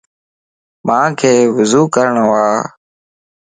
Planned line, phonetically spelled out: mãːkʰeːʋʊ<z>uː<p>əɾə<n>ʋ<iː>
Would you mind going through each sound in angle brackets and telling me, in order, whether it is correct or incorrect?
correct, incorrect: k, incorrect: ɳ, incorrect: aː

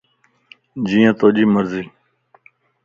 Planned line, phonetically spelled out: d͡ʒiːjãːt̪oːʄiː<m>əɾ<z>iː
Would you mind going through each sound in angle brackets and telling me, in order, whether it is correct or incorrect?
correct, correct

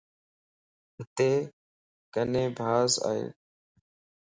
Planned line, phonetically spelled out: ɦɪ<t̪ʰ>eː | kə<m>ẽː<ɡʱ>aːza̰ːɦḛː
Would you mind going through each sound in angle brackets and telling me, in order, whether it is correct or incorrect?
incorrect: t̪, incorrect: n, incorrect: bʱ

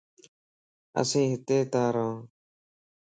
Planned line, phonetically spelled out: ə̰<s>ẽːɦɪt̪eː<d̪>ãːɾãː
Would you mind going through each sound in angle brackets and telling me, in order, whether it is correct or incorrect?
correct, incorrect: t̪

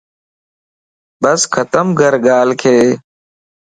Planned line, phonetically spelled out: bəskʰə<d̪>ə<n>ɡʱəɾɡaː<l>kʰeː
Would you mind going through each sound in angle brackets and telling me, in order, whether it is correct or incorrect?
incorrect: t̪, incorrect: m, correct

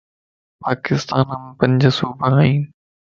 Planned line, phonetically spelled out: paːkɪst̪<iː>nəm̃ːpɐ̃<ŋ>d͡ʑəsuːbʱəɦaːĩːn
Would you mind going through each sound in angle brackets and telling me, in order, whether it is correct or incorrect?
incorrect: aː, incorrect: ɲ

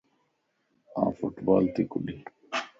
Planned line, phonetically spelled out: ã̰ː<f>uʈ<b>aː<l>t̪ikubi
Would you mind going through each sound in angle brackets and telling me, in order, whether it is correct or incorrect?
correct, correct, correct

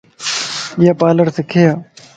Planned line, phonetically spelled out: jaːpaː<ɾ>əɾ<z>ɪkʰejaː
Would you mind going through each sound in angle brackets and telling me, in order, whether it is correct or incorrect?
incorrect: l, incorrect: s

